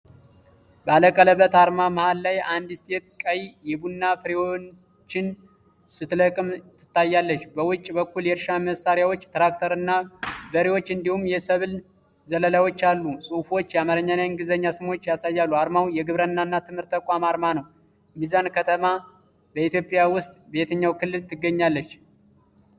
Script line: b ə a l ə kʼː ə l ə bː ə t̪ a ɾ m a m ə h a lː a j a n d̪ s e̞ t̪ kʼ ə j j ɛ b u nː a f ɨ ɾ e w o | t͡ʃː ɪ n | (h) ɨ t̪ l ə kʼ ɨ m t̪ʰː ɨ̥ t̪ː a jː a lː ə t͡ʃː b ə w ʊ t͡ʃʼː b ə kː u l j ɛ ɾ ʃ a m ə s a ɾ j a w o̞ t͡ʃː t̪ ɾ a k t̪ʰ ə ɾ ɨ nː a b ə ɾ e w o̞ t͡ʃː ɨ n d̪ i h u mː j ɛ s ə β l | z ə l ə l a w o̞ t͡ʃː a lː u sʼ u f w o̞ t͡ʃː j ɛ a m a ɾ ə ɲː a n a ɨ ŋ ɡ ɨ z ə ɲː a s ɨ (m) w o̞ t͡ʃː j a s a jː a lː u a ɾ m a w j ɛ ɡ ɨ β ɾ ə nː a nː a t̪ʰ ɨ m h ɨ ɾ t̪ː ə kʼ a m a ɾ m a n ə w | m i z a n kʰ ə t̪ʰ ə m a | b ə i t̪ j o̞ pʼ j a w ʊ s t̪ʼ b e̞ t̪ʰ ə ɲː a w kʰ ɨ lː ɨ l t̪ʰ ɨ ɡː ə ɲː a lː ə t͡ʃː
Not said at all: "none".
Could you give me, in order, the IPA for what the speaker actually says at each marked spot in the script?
s, m

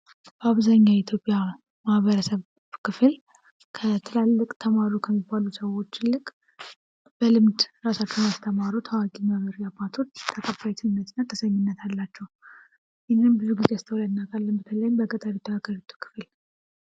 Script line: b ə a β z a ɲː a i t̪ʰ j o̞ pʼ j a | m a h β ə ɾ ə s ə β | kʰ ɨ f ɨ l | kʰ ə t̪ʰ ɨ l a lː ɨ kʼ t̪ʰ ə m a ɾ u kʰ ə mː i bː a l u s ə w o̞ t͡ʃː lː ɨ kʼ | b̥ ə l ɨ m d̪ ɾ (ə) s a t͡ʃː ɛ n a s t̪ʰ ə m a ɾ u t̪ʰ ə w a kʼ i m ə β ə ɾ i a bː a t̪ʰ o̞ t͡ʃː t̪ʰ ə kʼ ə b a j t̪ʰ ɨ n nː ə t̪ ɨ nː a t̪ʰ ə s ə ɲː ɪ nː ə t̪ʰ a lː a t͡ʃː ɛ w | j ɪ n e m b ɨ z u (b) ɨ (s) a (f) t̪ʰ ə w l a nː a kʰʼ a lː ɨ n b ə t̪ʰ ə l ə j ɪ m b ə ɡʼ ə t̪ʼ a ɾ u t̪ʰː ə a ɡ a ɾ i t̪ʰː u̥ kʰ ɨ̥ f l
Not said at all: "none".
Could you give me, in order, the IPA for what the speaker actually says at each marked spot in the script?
a, ɡ, z, s

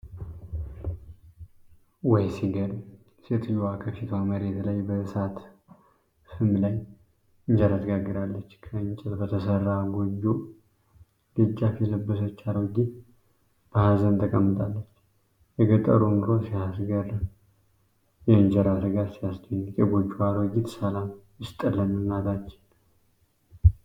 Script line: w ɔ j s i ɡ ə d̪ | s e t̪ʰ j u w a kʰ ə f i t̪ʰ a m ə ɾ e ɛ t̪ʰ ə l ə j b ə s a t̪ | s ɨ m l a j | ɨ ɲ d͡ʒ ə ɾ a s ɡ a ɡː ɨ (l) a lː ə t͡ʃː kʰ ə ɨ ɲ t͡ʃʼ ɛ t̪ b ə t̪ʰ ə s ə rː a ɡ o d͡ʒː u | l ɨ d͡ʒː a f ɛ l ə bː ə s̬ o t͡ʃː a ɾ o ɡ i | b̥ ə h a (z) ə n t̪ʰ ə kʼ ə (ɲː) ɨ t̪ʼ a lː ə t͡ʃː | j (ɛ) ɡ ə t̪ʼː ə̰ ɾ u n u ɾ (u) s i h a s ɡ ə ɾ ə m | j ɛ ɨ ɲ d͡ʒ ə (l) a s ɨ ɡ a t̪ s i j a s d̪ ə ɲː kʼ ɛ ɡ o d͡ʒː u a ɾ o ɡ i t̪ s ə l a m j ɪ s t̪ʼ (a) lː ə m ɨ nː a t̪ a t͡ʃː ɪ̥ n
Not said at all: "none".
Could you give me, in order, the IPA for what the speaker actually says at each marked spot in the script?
ɾ, z, mː, ɛ, o, ɾ, ə

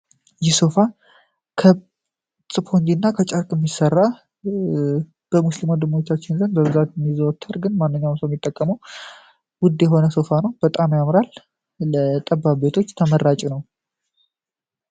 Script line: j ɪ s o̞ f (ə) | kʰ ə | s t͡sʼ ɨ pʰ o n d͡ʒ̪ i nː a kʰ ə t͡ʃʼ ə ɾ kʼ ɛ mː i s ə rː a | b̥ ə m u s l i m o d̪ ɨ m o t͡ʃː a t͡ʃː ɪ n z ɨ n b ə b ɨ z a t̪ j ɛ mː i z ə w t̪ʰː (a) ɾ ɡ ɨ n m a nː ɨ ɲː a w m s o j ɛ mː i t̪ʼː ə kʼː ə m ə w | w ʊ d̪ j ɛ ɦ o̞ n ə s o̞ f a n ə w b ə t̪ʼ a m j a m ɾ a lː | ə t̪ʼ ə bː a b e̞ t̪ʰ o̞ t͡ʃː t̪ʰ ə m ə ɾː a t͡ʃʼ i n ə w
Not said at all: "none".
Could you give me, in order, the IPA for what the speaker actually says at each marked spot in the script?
a, ə

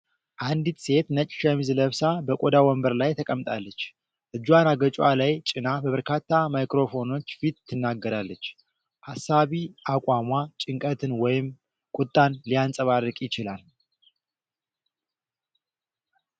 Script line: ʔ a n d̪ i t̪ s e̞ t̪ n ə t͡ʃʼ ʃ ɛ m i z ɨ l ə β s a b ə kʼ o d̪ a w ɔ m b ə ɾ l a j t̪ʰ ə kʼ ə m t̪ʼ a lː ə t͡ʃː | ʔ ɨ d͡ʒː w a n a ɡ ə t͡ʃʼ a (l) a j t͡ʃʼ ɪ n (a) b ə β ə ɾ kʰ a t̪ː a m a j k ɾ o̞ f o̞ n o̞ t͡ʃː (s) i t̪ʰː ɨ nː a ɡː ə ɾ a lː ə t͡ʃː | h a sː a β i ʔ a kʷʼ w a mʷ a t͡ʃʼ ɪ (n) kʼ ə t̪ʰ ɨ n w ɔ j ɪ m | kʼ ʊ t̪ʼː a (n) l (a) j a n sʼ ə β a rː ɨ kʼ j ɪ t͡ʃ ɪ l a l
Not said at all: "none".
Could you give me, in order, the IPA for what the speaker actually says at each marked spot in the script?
l, a, f, ŋ, n, i

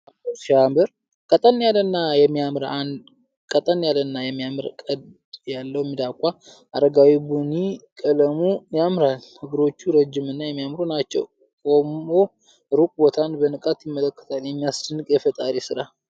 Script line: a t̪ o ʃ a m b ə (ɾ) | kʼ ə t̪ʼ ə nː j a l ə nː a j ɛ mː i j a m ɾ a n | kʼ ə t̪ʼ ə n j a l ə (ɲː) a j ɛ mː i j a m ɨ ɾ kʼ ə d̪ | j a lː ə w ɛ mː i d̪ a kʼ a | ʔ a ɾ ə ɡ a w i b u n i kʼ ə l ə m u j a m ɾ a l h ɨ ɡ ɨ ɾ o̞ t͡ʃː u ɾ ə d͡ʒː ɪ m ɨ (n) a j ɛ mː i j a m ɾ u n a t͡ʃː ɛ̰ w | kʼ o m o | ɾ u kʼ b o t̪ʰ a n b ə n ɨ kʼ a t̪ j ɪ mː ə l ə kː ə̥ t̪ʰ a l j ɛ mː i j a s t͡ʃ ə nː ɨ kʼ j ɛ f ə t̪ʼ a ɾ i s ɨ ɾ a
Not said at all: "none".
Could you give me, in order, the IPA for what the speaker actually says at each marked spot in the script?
ɾ, nː, nː

